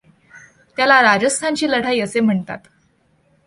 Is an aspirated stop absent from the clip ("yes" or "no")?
no